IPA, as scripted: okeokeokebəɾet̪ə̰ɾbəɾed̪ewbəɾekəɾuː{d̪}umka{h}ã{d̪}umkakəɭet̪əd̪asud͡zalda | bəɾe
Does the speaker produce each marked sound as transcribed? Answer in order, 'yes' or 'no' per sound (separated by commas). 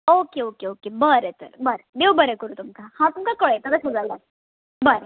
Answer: no, yes, no